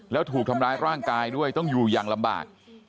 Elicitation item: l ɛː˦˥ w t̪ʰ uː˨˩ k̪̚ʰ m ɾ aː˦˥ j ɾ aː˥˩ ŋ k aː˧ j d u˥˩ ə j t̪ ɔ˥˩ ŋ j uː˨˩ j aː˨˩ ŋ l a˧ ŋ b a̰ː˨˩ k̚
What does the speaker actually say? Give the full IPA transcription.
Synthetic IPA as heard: l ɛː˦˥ w t̪ʰ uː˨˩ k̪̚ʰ m ɾ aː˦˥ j ɾ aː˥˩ ŋ k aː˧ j d u˥˩ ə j t̪ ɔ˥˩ ŋ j uː˨˩ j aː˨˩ ŋ l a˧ m b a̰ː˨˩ k̚

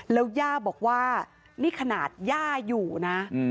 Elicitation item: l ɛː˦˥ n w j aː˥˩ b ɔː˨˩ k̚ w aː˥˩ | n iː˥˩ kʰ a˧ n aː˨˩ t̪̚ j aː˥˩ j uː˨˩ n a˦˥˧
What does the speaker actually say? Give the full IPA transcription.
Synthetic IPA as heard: l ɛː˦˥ w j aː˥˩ b ɔː˨˩ k̚ w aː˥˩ | n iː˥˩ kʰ a˧ n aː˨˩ t̪̚ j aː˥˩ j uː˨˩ n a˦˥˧

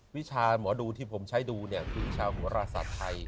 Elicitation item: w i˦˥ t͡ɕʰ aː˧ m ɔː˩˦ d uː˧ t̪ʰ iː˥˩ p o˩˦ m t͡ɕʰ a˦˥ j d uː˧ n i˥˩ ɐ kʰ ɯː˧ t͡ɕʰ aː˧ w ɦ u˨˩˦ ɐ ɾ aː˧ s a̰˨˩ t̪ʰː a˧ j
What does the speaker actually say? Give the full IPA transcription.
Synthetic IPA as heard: w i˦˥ t͡ɕʰ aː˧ m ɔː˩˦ d uː˧ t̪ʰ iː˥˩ pʰ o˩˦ m t͡ɕʰ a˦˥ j d uː˧ n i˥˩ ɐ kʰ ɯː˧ t͡ɕʰ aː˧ w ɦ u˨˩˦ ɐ ɾ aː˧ s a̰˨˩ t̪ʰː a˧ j

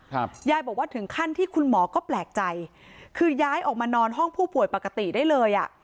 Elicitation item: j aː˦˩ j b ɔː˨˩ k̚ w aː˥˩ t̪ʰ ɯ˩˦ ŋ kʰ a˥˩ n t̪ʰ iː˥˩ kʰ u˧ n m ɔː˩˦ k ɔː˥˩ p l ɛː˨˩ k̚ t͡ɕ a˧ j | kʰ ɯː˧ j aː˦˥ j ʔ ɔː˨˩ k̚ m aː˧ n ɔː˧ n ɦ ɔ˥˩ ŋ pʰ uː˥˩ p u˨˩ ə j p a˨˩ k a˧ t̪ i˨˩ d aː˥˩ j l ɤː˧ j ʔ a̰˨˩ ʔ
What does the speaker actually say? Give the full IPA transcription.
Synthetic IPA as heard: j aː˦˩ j b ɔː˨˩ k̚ w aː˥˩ t̪ʰ ɯ˩˦ ŋ kʰ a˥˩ n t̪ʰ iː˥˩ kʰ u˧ n m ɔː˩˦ k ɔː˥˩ p l ɛː˨˩ k̚ t͡ɕ a˧ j | kʰ ɯː˧ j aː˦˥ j ʔ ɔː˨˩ k̚ m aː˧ n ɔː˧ n ɦ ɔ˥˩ ŋ pʰ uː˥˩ p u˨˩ ə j p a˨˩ k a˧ t̪ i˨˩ d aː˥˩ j l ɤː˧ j ʔ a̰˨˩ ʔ

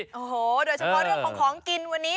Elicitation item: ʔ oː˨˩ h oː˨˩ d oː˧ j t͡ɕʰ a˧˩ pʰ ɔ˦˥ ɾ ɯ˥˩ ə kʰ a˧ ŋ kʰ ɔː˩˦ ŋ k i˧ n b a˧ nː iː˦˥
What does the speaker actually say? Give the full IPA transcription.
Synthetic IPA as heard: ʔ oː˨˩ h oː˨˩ d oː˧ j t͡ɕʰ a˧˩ pʰ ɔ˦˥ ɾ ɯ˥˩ ə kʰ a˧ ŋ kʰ ɔː˩˦ ŋ k i˧ n w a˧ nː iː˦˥

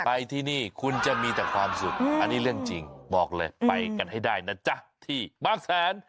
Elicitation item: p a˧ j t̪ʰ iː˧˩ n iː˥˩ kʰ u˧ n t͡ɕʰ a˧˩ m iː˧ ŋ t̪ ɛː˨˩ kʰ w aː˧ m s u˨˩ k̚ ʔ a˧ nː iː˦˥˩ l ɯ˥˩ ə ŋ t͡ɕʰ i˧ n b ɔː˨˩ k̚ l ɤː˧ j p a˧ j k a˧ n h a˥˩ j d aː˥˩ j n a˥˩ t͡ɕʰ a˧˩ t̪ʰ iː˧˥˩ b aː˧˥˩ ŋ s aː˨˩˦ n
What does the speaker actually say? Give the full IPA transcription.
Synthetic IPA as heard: p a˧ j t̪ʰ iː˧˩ n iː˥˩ kʰ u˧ n t͡ɕ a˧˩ m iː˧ t̪ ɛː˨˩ kʰ w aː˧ m s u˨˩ k̚ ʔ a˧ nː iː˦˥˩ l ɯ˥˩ ə ŋ t͡ɕ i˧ ŋ b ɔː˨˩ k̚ l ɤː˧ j p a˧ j k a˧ n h a˥˩ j d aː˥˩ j n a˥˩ t͡ɕ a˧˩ t̪ʰ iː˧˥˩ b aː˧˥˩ ŋ s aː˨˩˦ n

